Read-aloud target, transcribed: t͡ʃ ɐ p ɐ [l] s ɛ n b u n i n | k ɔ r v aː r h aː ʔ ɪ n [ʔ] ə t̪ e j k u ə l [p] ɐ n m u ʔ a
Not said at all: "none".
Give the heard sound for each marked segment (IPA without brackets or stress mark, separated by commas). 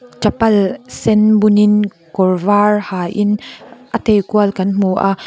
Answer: l, ʔ, k